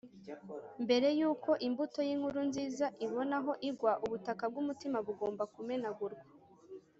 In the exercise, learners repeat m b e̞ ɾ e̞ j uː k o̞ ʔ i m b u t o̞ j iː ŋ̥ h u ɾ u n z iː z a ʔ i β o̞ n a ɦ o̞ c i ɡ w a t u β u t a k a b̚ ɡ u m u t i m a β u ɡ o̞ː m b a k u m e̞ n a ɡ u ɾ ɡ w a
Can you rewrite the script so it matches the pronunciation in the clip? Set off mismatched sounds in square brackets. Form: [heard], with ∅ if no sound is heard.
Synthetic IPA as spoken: m b e̞ ɾ e̞ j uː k o̞ ʔ i m b u t o̞ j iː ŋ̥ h u ɾ u n z iː z a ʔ i β o̞ n a ɦ o̞ [ʔ] i ɡ w a [ʔ] u β u t a k a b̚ ɡ u m u t i m a β u ɡ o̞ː m b a k u m e̞ n a ɡ u ɾ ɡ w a